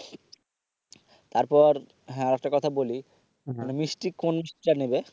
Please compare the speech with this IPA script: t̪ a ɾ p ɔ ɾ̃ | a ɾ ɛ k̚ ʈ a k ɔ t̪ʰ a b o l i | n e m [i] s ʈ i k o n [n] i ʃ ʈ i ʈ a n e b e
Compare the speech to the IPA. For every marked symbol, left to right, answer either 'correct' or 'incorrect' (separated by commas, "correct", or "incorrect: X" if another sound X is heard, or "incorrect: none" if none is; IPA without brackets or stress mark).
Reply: correct, incorrect: m